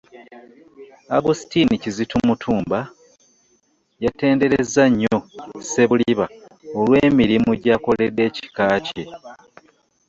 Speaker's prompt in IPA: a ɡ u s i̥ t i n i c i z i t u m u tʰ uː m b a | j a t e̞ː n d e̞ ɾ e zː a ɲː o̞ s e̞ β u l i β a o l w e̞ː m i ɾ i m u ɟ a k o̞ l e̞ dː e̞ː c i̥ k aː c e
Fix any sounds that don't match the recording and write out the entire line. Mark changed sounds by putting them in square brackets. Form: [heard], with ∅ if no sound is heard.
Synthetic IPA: a ɡ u s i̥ t i n i c i z i t u m u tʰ uː m b a | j a t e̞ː n d e̞ ɾ e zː a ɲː o̞ s e̞ β u l i β a o l w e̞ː m i ɾ i m u ɟ a k o̞ l e̞ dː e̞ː c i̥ k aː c e